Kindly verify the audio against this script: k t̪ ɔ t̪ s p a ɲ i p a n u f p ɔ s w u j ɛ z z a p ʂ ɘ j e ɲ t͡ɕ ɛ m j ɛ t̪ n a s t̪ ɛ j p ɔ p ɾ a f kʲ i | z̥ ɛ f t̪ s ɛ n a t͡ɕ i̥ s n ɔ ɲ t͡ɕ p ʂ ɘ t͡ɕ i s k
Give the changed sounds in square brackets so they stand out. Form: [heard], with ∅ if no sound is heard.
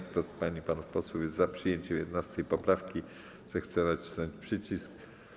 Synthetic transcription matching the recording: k t̪ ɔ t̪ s p a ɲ i p a n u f p ɔ s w u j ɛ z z a p ʂ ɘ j e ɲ t͡ɕ ɛ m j ɛ [d̪] n a s t̪ ɛ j p ɔ p ɾ a f kʲ i | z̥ ɛ [x] t̪ s ɛ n a t͡ɕ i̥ s n ɔ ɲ t͡ɕ p ʂ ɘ t͡ɕ i s k